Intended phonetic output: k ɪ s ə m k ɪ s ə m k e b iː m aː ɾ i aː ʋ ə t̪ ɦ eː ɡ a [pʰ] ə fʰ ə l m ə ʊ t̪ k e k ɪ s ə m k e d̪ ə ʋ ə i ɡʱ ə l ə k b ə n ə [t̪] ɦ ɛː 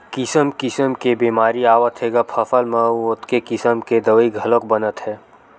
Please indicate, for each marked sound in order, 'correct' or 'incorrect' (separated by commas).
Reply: correct, correct